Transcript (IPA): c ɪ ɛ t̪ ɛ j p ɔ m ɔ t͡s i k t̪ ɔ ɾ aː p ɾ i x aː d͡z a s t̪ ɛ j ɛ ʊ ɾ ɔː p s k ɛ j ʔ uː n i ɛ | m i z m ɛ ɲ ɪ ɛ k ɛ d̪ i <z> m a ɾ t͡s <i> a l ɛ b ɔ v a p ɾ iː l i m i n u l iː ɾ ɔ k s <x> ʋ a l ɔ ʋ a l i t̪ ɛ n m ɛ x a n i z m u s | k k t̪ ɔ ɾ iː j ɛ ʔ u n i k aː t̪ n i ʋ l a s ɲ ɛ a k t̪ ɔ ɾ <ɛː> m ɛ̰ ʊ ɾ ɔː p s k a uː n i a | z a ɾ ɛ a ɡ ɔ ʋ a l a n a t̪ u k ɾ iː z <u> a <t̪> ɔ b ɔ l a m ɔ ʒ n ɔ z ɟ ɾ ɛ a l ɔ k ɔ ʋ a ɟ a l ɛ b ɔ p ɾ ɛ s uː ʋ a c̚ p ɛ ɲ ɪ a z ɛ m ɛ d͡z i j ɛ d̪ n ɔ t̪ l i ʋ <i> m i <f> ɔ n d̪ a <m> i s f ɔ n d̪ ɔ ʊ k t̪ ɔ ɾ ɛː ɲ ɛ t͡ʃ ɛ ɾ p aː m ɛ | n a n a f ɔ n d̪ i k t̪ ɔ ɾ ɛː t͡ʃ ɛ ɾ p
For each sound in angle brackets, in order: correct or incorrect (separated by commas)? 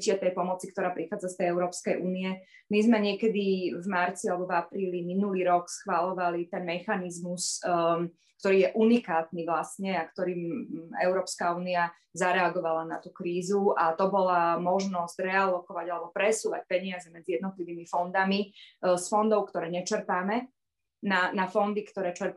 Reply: incorrect, correct, correct, incorrect, correct, correct, incorrect, correct, correct